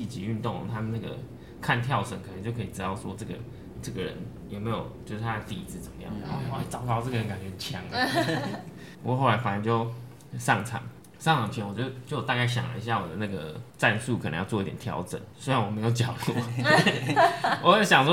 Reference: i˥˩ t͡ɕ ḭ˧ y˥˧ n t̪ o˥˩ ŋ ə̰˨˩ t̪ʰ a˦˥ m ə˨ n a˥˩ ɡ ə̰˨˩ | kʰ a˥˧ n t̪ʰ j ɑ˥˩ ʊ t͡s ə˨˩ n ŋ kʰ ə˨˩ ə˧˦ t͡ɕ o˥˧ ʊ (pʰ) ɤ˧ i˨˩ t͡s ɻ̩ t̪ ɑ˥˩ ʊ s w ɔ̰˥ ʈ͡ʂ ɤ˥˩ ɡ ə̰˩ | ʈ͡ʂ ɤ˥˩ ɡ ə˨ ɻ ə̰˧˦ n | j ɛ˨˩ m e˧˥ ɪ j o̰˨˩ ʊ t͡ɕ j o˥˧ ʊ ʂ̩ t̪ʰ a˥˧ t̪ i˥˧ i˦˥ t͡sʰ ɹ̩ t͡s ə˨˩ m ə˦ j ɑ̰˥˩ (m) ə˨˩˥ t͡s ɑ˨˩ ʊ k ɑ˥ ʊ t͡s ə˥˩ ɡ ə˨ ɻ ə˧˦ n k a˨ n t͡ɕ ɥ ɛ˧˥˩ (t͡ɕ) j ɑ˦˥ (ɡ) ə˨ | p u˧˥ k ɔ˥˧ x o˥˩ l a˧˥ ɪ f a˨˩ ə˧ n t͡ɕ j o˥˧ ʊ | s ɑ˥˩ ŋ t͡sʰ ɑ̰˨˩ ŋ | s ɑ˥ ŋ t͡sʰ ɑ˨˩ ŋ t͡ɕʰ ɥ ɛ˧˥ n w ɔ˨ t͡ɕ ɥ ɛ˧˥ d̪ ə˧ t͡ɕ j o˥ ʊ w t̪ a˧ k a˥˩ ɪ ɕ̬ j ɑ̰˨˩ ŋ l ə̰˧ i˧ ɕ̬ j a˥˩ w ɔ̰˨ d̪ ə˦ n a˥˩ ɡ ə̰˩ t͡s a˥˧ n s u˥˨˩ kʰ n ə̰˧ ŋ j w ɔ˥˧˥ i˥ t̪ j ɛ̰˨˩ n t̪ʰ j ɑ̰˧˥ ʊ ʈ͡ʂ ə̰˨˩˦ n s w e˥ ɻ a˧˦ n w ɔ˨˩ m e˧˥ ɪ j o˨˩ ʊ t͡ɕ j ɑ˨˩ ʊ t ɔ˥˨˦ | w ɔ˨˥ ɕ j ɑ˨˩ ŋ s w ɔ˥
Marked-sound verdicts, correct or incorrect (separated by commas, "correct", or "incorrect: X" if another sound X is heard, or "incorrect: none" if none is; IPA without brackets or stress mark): incorrect: kʰ, incorrect: ŋ, incorrect: t͡ɕʰ, incorrect: ŋ